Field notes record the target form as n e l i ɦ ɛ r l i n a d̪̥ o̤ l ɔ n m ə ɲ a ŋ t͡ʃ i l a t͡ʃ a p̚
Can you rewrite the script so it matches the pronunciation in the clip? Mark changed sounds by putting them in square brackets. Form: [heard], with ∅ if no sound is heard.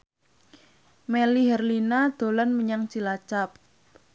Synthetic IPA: [m] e l i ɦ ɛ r l i n a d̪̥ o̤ l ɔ n m ə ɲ a ŋ t͡ʃ i l a t͡ʃ a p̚